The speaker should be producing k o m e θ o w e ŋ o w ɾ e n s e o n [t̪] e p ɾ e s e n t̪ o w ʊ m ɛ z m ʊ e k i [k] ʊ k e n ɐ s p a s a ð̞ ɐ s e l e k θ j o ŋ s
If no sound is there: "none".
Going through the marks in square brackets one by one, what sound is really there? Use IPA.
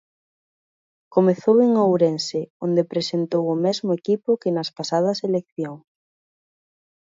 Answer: d̪, p

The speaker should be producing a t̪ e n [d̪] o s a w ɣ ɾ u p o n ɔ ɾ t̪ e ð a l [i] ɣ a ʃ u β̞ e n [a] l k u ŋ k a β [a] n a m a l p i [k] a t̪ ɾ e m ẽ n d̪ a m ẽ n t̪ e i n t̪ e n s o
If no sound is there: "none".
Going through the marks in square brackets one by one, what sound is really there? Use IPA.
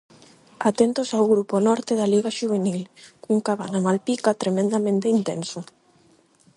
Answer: t̪, i, i, a, k

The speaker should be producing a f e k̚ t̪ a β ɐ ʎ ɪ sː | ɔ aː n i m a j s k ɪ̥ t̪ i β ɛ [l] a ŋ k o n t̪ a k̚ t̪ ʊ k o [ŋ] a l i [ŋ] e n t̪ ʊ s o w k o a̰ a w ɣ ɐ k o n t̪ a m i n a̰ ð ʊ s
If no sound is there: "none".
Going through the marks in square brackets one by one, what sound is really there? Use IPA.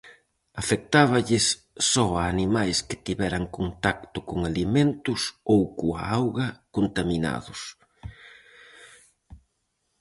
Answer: ɾ, ŋ, m

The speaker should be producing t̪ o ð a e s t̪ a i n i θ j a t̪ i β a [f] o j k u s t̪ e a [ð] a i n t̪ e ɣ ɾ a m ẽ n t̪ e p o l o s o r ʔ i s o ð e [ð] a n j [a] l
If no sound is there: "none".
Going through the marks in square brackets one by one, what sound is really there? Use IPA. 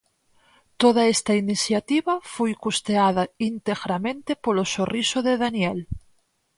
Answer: f, ð, ð, e

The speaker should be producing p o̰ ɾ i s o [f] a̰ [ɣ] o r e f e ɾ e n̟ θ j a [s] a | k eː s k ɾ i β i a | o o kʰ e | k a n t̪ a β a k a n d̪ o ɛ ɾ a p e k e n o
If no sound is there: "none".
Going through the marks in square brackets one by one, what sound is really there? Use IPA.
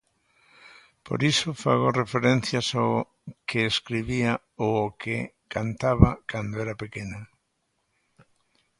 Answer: f, ɣ, s

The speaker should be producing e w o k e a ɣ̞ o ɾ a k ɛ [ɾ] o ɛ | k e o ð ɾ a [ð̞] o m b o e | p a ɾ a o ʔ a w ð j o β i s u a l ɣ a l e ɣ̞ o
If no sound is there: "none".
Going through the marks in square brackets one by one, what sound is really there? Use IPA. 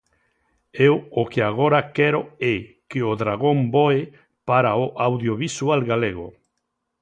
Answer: ɾ, ɣ̞

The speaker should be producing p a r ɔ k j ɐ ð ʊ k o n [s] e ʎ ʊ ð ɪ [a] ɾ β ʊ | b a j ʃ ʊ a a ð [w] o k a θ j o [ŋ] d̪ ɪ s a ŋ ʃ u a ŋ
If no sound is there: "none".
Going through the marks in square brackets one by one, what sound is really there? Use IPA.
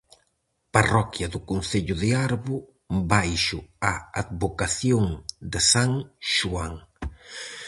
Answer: θ, a, β, ŋ

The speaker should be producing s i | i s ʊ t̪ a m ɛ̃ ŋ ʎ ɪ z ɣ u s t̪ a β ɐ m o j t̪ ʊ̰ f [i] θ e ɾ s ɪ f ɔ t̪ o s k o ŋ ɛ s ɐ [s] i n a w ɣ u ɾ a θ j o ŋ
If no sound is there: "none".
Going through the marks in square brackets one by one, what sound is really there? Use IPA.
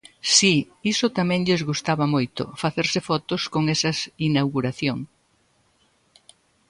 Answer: a, s

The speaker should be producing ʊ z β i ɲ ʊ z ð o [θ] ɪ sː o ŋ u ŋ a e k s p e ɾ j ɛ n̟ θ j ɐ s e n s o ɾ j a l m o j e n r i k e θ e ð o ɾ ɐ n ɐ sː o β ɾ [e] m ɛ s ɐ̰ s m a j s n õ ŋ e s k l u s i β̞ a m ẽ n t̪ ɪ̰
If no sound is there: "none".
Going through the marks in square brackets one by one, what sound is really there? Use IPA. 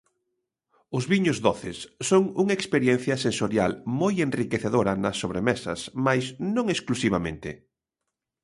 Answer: θ, e

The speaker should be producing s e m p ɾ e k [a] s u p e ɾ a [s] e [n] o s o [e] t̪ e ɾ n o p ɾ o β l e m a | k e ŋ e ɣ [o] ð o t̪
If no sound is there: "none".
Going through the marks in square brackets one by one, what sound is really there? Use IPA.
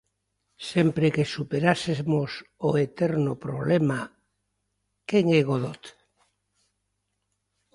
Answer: e, s, m, e, o

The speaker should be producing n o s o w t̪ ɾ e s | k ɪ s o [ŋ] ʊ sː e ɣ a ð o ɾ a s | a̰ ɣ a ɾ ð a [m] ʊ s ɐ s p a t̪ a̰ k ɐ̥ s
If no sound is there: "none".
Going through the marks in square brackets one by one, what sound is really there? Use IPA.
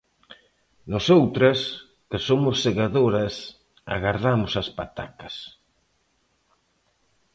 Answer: m, m

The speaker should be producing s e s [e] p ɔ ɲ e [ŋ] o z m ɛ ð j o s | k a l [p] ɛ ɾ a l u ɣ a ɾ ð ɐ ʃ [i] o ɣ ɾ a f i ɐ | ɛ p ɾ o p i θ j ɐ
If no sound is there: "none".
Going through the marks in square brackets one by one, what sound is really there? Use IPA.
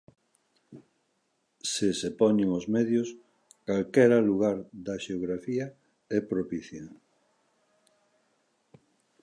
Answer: e, ŋ, k, e

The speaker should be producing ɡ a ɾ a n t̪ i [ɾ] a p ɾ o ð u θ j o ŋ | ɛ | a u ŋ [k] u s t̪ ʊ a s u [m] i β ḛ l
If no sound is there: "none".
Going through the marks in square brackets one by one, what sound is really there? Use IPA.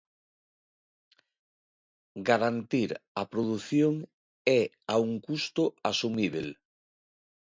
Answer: ɾ, k, m

